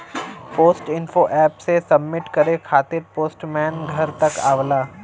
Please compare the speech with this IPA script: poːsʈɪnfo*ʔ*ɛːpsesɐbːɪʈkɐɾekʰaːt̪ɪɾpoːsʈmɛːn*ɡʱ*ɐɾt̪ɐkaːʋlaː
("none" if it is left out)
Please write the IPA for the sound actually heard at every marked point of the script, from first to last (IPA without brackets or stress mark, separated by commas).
ʔ, ɡʱ